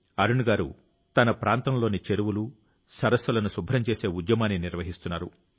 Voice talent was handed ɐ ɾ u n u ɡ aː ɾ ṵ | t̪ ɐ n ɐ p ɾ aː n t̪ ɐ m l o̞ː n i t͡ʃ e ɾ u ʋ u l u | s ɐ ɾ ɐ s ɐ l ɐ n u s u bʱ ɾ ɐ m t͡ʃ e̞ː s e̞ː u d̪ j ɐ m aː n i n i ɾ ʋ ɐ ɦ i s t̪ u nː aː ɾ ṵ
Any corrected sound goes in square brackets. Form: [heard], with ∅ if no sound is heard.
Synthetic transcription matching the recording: ɐ ɾ u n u ɡ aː ɾ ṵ | t̪ ɐ n ɐ p ɾ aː n t̪ ɐ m l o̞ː n i t͡ʃ e ɾ u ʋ u l u | s ɐ ɾ ɐ s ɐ l ɐ n u s u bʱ ɾ ɐ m t͡ʃ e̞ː s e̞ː u d̪ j ɐ m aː n i n i ɾ ʋ ɐ ɦ i s t̪ u nː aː ɾ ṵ

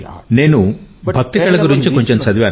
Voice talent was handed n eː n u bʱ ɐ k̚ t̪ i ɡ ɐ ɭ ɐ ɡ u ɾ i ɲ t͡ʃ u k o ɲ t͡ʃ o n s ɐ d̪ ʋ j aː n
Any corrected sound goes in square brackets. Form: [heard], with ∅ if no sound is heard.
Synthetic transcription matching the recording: n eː n u bʱ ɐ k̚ t̪ i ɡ ɐ ɭ ɐ ɡ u ɾ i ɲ t͡ʃ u k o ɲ t͡ʃ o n s ɐ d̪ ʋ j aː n

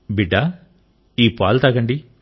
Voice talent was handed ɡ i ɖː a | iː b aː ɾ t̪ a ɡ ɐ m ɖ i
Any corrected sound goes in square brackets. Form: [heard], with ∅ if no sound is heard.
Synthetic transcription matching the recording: [b] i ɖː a | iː [p] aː [l] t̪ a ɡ ɐ [ɳ] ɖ i

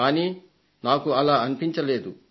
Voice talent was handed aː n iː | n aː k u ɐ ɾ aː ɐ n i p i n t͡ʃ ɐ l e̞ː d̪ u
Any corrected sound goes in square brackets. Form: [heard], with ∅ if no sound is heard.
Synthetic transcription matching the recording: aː n iː | n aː k u ɐ [l] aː ɐ n i p i [ɲ] t͡ʃ ɐ l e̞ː d̪ u

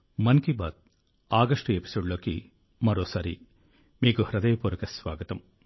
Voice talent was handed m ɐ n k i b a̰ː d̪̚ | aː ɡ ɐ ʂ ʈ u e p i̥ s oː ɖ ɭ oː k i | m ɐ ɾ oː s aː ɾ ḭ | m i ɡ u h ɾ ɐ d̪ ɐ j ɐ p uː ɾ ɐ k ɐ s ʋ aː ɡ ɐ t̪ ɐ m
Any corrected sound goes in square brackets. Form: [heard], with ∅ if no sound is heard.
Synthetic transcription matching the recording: m ɐ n k i b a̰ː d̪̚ | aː ɡ ɐ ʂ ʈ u e p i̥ s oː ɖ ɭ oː k i | m ɐ ɾ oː s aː ɾ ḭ | m [iː] ɡ u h ɾ ɐ d̪ ɐ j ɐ p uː ɾ ɐ k ɐ s ʋ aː ɡ ɐ t̪ ɐ m

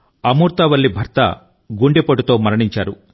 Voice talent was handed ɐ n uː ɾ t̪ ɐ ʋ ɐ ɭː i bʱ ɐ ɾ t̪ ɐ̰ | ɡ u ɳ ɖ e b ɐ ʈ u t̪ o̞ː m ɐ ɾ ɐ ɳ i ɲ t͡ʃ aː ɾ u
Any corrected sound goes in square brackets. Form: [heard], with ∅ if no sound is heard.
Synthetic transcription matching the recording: ɐ [m] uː ɾ t̪ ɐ ʋ ɐ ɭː i bʱ ɐ ɾ t̪ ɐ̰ | ɡ u ɳ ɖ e [p] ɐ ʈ u t̪ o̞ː m ɐ ɾ ɐ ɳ i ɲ t͡ʃ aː ɾ u

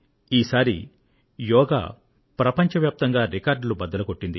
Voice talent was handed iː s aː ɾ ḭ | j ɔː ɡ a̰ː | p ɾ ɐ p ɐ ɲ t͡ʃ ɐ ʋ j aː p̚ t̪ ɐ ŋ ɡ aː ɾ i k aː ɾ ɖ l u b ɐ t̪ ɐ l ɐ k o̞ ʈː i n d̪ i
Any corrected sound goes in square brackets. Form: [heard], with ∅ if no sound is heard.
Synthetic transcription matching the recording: iː s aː ɾ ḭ | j ɔː ɡ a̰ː | p ɾ ɐ p ɐ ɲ t͡ʃ ɐ ʋ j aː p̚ t̪ ɐ ŋ ɡ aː ɾ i k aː ɾ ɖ l u b ɐ [d̪] ɐ l ɐ k o̞ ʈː i n d̪ i

